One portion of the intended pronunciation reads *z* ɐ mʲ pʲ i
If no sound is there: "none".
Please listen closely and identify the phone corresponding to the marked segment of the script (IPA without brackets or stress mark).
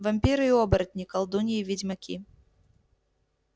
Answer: v